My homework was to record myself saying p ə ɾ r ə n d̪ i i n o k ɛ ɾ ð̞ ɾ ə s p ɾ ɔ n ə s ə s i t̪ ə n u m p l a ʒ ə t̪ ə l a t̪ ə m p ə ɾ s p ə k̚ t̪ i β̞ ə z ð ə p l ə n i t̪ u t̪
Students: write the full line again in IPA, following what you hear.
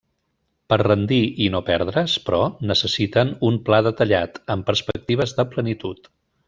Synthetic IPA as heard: p ə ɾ r ə n d̪ i i n o p ɛ ɾ ð̞ ɾ ə s p ɾ ɔ n ə s ə s i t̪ ə n u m p l a ð ə t̪ ə ʎ a t̪ ə m p ə ɾ s p ə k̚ t̪ i β̞ ə z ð ə p l ə n i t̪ u t̪